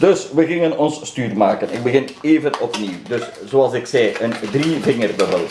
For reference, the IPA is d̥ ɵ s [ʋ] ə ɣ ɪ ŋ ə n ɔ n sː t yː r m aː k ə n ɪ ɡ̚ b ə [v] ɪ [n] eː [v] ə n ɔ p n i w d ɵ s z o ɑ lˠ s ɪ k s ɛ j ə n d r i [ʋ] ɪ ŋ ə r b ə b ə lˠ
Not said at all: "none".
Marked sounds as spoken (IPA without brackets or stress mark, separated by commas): ʋ, ɣ, n, v, v